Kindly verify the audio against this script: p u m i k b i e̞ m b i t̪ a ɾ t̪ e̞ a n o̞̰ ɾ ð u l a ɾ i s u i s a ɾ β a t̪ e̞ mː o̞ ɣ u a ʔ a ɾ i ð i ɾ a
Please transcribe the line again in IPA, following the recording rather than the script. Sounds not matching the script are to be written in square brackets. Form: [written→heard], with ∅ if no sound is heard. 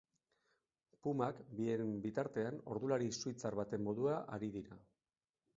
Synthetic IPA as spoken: p u m [i→a] k b i e̞ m b i t̪ a ɾ t̪ e̞ a n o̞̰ ɾ ð u l a ɾ i s u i [s→t͡s] a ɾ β a t̪ e̞ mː o̞ [ɣ→ð] u a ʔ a ɾ i ð i ɾ a